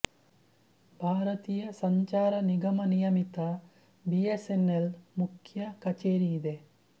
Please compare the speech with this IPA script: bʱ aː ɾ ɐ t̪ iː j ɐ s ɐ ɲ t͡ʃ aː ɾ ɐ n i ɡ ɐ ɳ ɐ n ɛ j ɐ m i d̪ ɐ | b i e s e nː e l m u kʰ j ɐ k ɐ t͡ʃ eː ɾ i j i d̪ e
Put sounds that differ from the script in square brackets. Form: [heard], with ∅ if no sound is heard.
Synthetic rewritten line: bʱ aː ɾ ɐ t̪ iː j ɐ s ɐ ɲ t͡ʃ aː ɾ ɐ n i ɡ ɐ [m] ɐ n [i] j ɐ m i [t̪] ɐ | b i e s e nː e l m u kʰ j ɐ k ɐ t͡ʃ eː ɾ i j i d̪ e

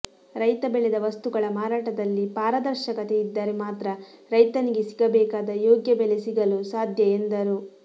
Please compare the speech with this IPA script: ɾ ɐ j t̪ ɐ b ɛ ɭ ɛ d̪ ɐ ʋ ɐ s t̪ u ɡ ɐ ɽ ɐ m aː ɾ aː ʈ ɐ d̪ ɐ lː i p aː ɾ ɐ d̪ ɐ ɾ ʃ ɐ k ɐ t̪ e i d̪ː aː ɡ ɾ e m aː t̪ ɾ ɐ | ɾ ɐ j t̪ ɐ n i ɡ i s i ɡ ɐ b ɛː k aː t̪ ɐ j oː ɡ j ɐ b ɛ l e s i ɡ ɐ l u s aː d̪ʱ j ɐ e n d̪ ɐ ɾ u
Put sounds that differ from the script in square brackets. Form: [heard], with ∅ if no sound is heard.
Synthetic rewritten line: ɾ ɐ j t̪ ɐ b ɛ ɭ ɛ d̪ ɐ ʋ ɐ s t̪ u ɡ ɐ [ɭ] ɐ m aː ɾ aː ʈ ɐ d̪ ɐ lː i p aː ɾ ɐ d̪ ɐ ɾ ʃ ɐ k ɐ t̪ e i d̪ː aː [∅] ɾ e m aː t̪ ɾ ɐ | ɾ ɐ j t̪ ɐ n i ɡ [e] s i ɡ ɐ b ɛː k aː [d̪] ɐ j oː ɡ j ɐ b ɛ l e s i ɡ ɐ l u s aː d̪ʱ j ɐ e n d̪ ɐ ɾ u

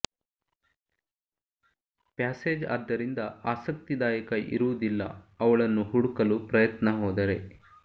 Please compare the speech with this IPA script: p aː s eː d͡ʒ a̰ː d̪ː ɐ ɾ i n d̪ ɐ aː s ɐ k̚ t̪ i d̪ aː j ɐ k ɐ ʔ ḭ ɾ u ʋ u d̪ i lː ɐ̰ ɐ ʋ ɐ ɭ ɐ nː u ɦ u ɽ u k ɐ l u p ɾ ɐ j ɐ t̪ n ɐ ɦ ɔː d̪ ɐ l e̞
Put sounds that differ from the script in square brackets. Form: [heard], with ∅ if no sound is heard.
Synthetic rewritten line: p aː s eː d͡ʒ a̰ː d̪ː ɐ ɾ i n d̪ ɐ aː s ɐ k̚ t̪ i d̪ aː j ɐ k ɐ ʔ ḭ ɾ u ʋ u d̪ i lː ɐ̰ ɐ ʋ ɐ ɭ ɐ nː u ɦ u ɽ u k ɐ l u p ɾ ɐ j ɐ t̪ n ɐ ɦ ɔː d̪ ɐ [ɾ] e̞

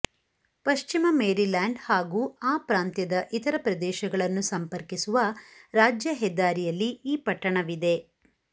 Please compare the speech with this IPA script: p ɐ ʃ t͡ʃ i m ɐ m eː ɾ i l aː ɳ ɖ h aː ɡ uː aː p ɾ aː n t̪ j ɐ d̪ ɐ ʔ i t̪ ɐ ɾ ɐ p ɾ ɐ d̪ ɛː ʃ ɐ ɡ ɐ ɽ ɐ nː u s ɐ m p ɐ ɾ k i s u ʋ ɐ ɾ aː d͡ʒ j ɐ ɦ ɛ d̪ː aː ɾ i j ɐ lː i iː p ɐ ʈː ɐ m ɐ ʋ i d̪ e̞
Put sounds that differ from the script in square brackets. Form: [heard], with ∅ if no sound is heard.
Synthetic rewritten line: p ɐ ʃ t͡ʃ i m ɐ m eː ɾ i l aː ɳ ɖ h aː ɡ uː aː p ɾ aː n t̪ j ɐ d̪ ɐ ʔ i t̪ ɐ ɾ ɐ p ɾ ɐ d̪ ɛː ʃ ɐ ɡ ɐ [ɭ] ɐ nː u s ɐ m p ɐ ɾ k i s u ʋ ɐ ɾ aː d͡ʒ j ɐ ɦ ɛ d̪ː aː ɾ i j ɐ lː i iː p ɐ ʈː ɐ [ɳ] ɐ ʋ i d̪ e̞

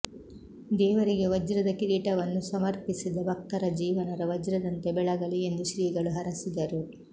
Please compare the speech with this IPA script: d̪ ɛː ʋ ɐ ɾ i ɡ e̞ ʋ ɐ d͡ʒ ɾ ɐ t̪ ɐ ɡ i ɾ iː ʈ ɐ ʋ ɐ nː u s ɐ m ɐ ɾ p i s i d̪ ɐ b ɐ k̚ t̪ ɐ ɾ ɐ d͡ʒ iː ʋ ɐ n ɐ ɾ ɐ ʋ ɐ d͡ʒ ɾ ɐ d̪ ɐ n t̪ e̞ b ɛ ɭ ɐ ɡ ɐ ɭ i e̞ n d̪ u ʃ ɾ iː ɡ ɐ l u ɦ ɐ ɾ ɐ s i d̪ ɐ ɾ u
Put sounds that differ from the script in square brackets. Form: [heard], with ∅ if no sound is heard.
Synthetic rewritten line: d̪ ɛː ʋ ɐ ɾ i ɡ e̞ ʋ ɐ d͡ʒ ɾ ɐ [d̪] ɐ [k] i ɾ iː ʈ ɐ ʋ ɐ nː u s ɐ m ɐ ɾ p i s i d̪ ɐ b ɐ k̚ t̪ ɐ ɾ ɐ d͡ʒ iː ʋ ɐ n ɐ ɾ ɐ ʋ ɐ d͡ʒ ɾ ɐ d̪ ɐ n t̪ e̞ b ɛ ɭ ɐ ɡ ɐ ɭ i e̞ n d̪ u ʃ ɾ iː ɡ ɐ [ɭ] u ɦ ɐ ɾ ɐ s i d̪ ɐ ɾ u

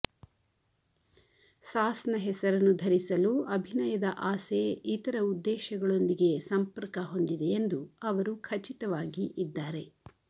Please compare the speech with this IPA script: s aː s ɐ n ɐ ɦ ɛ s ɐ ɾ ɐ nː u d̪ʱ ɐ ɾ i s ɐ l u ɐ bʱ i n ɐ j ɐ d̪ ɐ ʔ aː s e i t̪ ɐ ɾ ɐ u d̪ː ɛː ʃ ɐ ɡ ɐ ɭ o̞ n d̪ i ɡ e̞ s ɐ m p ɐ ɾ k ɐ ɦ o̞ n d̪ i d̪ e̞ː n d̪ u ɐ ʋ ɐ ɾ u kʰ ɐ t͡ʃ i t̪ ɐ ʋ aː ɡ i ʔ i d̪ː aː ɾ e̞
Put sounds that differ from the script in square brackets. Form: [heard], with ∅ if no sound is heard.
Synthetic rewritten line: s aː s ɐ n ɐ ɦ ɛ s ɐ ɾ ɐ nː u d̪ʱ ɐ ɾ i s ɐ l u ɐ bʱ i n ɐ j ɐ d̪ ɐ ʔ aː s e i t̪ ɐ ɾ ɐ u d̪ː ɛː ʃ ɐ ɡ ɐ ɭ o̞ n d̪ i ɡ e̞ s ɐ m p ɐ ɾ k ɐ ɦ o̞ n d̪ i d̪ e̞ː n d̪ u ɐ ʋ ɐ ɾ u kʰ ɐ t͡ʃ i t̪ ɐ ʋ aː ɡ i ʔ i d̪ː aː ɾ e̞

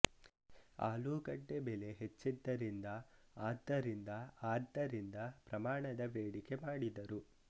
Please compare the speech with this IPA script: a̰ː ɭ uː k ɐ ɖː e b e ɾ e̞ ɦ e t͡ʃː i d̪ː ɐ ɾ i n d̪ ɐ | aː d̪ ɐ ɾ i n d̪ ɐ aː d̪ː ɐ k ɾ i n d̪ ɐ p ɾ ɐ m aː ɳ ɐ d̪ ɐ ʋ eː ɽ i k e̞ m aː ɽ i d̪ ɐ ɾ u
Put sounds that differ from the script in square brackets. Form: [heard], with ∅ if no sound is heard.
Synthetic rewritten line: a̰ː [l] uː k ɐ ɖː e b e [l] e̞ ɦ e t͡ʃː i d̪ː ɐ ɾ i n d̪ ɐ | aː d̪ ɐ ɾ i n d̪ ɐ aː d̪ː ɐ [∅] ɾ i n d̪ ɐ p ɾ ɐ m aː ɳ ɐ d̪ ɐ ʋ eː ɽ i k e̞ m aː ɽ i d̪ ɐ ɾ u

